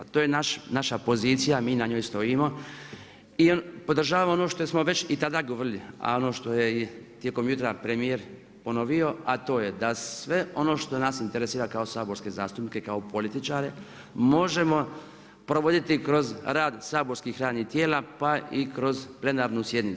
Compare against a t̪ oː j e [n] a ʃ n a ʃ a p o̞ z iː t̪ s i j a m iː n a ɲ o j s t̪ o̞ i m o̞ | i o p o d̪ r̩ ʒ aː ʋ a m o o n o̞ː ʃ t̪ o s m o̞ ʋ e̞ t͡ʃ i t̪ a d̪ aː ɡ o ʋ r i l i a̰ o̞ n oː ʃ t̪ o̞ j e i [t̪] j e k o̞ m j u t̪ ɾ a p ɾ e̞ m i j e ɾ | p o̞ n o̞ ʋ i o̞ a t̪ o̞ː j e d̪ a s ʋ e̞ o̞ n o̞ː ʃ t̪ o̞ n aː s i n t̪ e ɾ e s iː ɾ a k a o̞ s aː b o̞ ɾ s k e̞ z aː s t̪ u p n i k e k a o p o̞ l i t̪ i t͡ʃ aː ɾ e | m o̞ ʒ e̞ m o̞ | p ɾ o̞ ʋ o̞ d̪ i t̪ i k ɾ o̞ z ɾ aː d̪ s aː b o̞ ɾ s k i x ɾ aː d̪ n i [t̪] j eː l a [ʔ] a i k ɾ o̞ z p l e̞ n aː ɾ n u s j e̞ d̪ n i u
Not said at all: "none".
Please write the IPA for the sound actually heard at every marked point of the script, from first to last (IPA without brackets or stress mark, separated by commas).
n, t̪, t̪, p